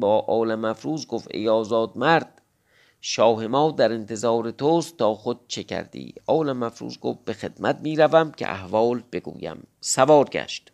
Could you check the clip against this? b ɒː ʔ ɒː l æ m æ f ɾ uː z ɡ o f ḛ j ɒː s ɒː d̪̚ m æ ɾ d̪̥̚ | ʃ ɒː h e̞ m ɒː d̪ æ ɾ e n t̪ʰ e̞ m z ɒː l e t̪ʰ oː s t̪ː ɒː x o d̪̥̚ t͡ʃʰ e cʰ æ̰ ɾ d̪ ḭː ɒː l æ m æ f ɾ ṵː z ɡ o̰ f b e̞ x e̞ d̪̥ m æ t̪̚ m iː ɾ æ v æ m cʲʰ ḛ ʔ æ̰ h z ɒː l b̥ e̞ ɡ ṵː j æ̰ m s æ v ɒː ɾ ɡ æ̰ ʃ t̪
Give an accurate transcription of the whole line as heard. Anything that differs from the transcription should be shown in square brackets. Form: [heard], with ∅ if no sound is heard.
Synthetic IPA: b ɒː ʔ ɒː l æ m æ f ɾ uː z ɡ o f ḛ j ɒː [z] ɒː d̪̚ m æ ɾ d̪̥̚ | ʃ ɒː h e̞ m ɒː d̪ æ ɾ e n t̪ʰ e̞ [∅] z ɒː [ɾ] e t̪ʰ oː s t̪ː ɒː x o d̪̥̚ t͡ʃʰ e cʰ æ̰ ɾ d̪ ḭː ɒː l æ m æ f ɾ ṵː z ɡ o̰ f b e̞ x e̞ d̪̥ m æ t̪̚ m iː ɾ æ v æ m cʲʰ ḛ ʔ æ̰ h [v] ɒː l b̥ e̞ ɡ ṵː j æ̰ m s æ v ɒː ɾ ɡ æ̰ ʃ t̪